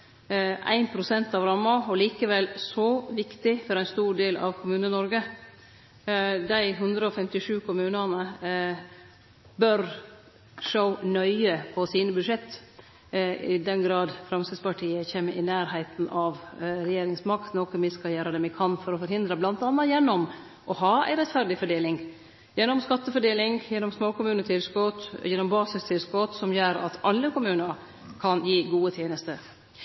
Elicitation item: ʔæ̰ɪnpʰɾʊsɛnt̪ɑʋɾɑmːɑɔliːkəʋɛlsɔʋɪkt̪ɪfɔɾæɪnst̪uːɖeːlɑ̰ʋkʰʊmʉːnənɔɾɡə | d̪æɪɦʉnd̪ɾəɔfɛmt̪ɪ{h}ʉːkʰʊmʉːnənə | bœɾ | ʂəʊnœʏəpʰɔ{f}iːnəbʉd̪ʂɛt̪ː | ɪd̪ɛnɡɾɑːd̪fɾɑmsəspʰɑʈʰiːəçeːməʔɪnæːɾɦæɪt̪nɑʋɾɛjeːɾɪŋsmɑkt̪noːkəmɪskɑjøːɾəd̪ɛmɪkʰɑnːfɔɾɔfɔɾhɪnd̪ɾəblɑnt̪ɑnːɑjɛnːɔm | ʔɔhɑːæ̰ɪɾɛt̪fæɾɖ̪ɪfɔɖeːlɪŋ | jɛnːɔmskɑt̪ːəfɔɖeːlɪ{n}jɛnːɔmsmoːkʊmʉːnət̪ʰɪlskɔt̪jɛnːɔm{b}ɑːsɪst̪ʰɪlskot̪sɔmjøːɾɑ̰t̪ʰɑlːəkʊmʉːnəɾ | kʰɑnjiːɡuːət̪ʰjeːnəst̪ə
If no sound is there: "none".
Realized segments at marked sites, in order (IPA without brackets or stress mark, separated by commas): ʂ, s, ŋ, b